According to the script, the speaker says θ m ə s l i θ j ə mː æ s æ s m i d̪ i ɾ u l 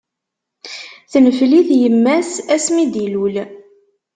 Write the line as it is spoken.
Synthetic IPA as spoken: θ n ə f l i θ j ə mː æ s æ s m i d̪ i l u l

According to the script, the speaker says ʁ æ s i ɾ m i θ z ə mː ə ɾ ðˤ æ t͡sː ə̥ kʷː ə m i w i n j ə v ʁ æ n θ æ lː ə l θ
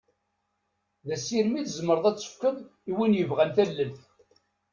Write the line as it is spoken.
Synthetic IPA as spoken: ð æ s i ɾ m i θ z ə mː ə ɾ ðˤ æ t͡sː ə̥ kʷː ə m i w i n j ə v ʁ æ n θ æ lː ə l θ

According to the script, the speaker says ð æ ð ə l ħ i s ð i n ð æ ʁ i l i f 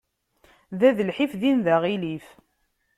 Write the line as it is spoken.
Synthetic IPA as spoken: ð æ ð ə l ħ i f ð i n ð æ ʁ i l i f

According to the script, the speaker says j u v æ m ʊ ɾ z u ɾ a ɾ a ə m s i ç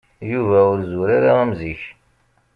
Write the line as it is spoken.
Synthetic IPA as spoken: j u v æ ʊ ɾ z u ɾ a ɾ a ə m z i ç

